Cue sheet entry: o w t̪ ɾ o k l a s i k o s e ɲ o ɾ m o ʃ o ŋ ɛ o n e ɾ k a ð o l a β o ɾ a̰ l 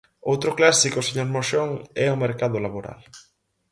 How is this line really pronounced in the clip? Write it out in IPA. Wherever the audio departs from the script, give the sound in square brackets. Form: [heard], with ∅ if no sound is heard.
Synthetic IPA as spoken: o w t̪ ɾ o k l a s i k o s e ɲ o ɾ m o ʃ o ŋ ɛ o [m] e ɾ k a ð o l a β o ɾ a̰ l